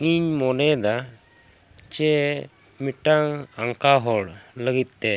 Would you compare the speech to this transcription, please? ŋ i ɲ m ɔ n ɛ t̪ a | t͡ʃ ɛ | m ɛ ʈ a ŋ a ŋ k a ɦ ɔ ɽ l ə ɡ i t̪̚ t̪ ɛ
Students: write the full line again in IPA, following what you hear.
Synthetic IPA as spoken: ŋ i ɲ m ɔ n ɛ d̪ a | t͡ʃ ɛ | m i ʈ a ŋ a ŋ k a ɦ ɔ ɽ l ə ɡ i t̪̚ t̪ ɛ